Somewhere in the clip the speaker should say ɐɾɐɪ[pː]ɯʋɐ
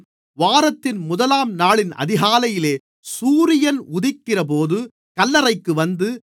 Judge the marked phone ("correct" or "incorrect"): incorrect